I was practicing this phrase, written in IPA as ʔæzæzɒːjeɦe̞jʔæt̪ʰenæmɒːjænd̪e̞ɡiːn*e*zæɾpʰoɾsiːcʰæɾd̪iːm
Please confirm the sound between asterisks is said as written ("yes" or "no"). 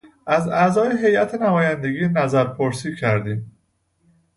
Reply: no